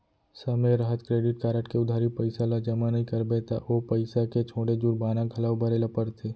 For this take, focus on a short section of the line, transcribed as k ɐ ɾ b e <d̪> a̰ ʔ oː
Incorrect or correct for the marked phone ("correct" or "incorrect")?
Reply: incorrect